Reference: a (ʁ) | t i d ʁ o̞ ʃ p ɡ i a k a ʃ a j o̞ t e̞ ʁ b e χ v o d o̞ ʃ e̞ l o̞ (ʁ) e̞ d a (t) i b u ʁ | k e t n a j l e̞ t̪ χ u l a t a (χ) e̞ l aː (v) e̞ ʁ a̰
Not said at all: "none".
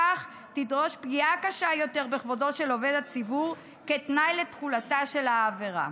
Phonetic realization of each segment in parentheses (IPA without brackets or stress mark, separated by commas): χ, v, t͡s, ʃ, v